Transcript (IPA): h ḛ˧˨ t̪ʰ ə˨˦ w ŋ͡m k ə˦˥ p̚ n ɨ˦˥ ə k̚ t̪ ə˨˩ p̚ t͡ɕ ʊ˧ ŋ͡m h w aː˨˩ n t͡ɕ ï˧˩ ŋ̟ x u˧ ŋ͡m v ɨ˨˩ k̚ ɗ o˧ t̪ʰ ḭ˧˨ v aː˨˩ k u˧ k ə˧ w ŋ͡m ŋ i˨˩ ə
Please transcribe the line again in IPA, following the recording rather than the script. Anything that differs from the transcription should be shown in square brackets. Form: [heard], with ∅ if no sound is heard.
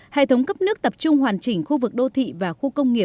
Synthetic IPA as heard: h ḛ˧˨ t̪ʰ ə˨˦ w ŋ͡m k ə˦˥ p̚ n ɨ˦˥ ə k̚ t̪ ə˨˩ p̚ t͡ɕ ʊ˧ ŋ͡m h w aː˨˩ n t͡ɕ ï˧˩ ŋ̟ x u˧ [∅] v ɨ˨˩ k̚ ɗ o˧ t̪ʰ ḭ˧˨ v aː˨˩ [x] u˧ k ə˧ w ŋ͡m ŋ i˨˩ ə